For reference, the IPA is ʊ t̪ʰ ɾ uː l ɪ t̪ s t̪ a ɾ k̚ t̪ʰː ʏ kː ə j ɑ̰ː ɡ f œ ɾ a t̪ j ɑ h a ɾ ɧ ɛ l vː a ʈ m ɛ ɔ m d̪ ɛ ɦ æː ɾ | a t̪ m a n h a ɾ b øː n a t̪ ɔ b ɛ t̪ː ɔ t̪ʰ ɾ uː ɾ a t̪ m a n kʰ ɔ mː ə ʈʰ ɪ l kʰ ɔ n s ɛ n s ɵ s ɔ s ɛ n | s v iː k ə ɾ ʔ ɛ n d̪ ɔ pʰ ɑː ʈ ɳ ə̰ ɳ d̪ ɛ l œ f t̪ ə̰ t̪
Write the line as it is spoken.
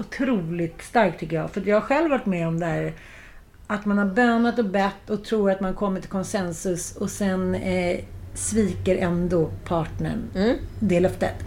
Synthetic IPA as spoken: ʊ t̪ʰ ɾ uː l ɪ t̪ s t̪ a ɾ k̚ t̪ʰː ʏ kː ə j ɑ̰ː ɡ f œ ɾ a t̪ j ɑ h a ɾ ɧ ɛ l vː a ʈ m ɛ ɔ m d̪ ɛ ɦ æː ɾ | a t̪ m a n h a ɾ b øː n a t̪ ɔ b ɛ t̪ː ɔ t̪ʰ ɾ uː ɾ a t̪ m a n kʰ ɔ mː ə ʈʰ ɪ l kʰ ɔ n s ɛ n s ɵ s ɔ s ɛ n | s v iː k ə ɾ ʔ ɛ n d̪ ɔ pʰ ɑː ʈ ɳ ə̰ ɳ d̪ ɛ l œ f t̪ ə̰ t̪